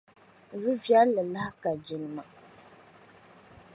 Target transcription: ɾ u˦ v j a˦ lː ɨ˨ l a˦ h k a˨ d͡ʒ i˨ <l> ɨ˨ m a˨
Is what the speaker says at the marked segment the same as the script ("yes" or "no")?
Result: yes